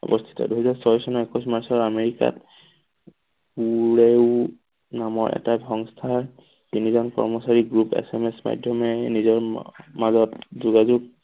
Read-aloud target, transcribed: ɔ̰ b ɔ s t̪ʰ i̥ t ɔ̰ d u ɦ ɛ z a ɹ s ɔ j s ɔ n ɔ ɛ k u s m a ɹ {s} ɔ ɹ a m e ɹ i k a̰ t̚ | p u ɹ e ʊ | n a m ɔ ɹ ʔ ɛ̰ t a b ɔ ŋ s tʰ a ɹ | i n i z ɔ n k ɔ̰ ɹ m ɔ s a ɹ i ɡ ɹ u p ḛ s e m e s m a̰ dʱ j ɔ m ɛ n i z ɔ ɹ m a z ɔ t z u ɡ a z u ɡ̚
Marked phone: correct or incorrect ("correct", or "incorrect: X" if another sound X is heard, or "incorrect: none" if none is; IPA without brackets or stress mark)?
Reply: correct